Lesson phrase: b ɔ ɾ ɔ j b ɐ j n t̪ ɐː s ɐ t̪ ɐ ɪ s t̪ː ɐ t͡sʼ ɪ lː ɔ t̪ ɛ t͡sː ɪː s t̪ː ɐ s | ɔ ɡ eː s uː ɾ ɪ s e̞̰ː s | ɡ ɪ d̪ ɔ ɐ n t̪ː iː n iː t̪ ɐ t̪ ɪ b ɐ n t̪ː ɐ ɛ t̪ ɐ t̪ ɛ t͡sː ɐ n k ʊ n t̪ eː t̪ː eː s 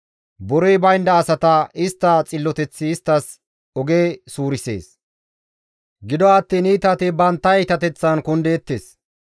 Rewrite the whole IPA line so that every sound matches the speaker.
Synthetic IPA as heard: b ɔ ɾ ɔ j b ɐ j n d̪ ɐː s ɐ t̪ ɐ ɪ s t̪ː ɐ t͡sʼ ɪ lː ɔ t̪ ɛ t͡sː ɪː s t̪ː ɐ s | ɔ ɡ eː s uː ɾ ɪ s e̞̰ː s | ɡ ɪ d̪ ɔ ɐ t̪ː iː n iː t̪ ɐ t̪ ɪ b ɐ n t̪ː ɐ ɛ t̪ ɐ t̪ ɛ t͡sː ɐ n k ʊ n d̪ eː t̪ː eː s